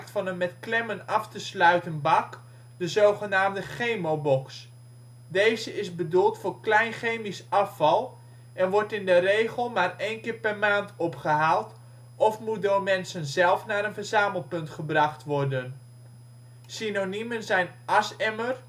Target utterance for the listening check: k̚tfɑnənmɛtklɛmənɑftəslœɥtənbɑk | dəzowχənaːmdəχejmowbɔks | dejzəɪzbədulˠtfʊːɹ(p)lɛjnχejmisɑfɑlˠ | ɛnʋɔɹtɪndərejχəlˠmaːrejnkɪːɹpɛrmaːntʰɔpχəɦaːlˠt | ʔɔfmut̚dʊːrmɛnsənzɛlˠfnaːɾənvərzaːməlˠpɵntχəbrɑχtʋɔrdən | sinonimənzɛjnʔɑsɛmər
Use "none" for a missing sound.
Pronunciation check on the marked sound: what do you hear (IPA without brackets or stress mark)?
k